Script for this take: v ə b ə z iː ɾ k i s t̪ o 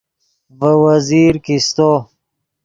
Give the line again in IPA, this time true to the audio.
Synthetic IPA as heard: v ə w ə z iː ɾ k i s t̪ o